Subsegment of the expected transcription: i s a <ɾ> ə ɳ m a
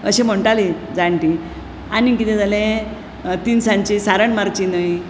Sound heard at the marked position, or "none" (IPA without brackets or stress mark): ɾ